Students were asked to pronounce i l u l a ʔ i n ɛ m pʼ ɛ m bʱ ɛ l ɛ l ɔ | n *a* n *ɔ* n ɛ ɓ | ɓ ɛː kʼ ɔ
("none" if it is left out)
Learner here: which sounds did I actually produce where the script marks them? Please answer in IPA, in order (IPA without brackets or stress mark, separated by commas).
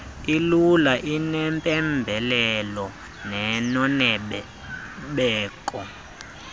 ɛ, ɔ